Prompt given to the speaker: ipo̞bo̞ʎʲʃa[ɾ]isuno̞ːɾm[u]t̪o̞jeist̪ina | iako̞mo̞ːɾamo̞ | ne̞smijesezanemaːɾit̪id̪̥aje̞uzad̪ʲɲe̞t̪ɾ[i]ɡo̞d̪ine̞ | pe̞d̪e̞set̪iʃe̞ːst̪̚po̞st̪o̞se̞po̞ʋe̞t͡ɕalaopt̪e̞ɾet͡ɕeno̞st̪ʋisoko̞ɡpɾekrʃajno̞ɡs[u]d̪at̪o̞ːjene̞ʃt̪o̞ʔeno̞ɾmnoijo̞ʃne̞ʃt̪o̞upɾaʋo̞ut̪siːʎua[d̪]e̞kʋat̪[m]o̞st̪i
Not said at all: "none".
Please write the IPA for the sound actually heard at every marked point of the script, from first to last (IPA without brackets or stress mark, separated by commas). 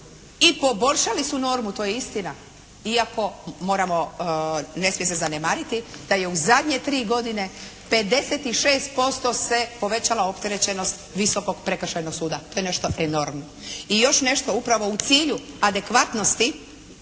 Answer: l, u, iː, uː, d̪, n